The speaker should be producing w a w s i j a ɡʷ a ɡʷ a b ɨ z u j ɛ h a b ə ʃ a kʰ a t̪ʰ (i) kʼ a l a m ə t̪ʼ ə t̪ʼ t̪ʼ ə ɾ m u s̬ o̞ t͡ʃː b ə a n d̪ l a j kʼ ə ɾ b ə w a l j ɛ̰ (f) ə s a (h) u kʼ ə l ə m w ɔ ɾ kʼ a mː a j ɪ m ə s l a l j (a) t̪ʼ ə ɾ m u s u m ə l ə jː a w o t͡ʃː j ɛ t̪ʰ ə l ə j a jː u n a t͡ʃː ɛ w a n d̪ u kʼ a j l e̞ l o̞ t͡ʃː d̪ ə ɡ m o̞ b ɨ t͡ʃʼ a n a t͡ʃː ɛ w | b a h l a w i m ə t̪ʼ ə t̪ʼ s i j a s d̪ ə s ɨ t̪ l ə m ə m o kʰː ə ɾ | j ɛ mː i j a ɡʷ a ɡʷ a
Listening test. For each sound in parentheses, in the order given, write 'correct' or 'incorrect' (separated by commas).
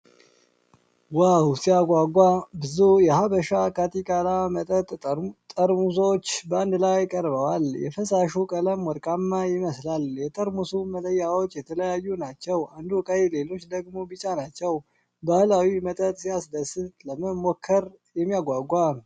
correct, correct, incorrect, incorrect